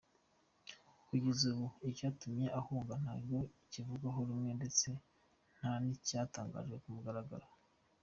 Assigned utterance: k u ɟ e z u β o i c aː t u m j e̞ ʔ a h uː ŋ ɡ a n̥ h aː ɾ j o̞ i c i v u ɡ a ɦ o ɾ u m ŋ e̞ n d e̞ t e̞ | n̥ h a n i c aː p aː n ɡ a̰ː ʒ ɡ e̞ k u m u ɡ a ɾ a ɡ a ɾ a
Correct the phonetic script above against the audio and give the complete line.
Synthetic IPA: k u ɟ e z u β u i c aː t u m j e̞ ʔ a h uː ŋ ɡ a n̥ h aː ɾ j o̞ i c i v u ɡ a ɦ o ɾ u m ŋ e̞ n d e̞ t͡s e̞ | n̥ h a n i c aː t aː ŋ ɡ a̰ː ʒ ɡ e̞ k u m u ɡ a ɾ a ɡ a ɾ a